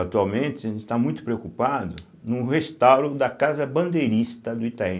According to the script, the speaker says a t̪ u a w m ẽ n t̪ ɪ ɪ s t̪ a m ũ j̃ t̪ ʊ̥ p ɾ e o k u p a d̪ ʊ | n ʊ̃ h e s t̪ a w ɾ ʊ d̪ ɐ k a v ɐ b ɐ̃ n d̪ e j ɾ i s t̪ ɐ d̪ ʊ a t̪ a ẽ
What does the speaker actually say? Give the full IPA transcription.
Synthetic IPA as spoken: a t̪ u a w m ẽ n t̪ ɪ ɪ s t̪ a m ũ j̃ t̪ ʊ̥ p ɾ e o k u p a d̪ ʊ | n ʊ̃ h e s t̪ a w ɾ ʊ d̪ ɐ k a z ɐ b ɐ̃ n d̪ e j ɾ i s t̪ ɐ d̪ ʊ i t̪ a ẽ